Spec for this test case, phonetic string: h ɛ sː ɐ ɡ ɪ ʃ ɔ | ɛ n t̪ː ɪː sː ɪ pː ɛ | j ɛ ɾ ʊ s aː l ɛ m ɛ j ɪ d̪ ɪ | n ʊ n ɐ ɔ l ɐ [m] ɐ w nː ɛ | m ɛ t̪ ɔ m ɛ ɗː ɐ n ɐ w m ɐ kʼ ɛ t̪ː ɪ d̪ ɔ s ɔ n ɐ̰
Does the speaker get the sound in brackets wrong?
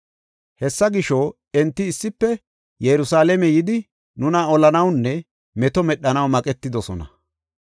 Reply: yes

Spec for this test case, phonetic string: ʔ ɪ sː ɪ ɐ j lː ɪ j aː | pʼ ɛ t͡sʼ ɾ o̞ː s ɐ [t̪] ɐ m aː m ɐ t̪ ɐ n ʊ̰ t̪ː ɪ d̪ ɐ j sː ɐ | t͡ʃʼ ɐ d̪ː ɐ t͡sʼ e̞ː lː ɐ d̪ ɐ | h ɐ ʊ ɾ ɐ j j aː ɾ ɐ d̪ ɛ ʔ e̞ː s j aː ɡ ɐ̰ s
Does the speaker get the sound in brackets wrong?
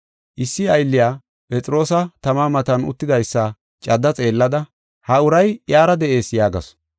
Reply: no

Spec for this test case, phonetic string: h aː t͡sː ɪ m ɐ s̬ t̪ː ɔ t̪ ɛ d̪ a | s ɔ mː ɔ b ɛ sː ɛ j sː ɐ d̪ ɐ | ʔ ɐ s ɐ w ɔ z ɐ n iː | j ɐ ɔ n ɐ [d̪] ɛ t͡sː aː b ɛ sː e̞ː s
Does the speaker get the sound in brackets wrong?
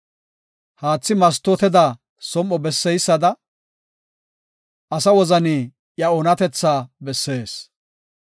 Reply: yes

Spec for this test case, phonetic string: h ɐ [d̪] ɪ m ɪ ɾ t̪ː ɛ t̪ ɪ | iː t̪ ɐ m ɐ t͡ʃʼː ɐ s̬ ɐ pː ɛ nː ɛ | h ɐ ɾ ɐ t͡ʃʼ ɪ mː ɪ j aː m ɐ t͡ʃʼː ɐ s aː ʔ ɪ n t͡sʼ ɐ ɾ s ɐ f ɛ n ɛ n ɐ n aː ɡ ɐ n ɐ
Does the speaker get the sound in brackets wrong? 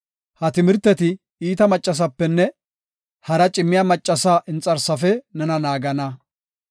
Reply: yes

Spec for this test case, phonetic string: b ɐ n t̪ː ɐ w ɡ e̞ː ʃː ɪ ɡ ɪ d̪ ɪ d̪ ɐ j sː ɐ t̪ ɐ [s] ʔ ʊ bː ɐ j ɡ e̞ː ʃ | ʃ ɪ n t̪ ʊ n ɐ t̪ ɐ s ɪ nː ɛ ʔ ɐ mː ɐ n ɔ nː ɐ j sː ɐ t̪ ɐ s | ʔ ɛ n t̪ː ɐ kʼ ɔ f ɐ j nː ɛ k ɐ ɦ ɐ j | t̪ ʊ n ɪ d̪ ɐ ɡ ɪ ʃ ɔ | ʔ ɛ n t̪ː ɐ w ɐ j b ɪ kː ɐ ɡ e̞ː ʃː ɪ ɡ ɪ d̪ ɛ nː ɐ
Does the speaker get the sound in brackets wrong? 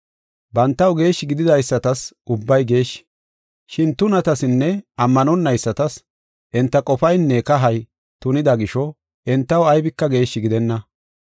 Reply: no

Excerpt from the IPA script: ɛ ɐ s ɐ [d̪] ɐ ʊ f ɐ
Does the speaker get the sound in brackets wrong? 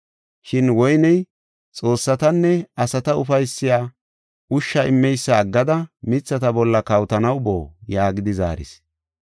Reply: yes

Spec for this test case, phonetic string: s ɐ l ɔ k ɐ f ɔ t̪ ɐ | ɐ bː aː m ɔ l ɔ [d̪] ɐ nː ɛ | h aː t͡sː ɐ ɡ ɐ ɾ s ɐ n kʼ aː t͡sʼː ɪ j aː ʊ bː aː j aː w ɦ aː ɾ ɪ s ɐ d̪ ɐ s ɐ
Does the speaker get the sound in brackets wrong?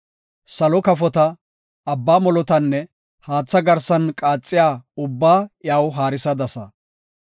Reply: yes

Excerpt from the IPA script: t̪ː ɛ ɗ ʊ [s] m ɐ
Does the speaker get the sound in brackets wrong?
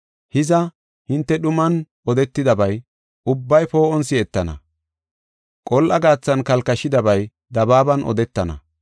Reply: yes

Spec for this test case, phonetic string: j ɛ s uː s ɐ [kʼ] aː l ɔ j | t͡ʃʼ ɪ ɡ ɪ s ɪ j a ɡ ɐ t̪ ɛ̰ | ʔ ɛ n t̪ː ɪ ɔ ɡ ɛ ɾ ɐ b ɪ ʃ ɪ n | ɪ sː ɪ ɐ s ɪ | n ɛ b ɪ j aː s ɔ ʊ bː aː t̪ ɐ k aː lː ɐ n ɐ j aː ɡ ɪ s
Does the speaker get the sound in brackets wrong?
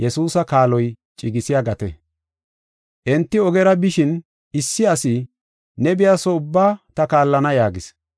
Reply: yes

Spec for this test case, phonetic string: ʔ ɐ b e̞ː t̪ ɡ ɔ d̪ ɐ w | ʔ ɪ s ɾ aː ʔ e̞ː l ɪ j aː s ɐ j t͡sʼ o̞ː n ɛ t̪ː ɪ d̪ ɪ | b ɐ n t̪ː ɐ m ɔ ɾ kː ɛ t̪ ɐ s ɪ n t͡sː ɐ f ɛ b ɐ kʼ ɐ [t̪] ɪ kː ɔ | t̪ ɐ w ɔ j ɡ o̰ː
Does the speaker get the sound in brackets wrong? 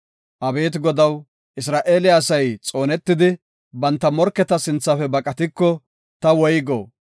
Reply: no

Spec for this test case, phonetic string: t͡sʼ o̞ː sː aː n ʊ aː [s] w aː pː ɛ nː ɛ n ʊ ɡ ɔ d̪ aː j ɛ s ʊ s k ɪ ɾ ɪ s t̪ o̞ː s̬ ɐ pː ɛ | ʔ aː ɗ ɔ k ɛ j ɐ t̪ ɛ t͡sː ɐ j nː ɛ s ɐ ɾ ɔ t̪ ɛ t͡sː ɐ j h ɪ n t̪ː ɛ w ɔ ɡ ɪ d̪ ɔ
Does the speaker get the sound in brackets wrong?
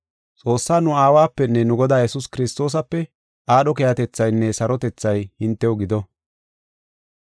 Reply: yes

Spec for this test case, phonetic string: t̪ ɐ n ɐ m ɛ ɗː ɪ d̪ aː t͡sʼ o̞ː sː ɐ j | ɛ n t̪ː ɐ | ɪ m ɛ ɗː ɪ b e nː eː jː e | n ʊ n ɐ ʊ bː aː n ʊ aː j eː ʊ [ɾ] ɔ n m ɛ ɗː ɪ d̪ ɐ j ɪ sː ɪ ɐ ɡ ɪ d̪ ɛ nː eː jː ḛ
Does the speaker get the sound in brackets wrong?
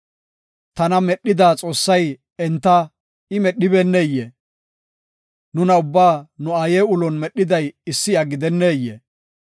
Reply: yes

